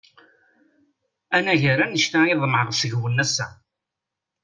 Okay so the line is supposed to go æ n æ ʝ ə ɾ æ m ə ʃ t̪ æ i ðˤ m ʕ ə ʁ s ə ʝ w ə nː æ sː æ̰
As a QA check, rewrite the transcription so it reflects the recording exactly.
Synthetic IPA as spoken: æ n æ ʝ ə ɾ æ n ə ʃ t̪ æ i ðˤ m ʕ ə ʁ s ə ʝ w ə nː æ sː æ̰